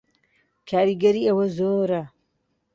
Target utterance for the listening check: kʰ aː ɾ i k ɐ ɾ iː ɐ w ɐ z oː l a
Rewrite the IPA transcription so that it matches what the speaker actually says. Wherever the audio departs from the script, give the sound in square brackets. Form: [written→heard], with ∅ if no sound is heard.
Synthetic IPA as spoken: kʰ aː ɾ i [k→ɡ] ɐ ɾ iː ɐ w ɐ z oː [l→ɾ] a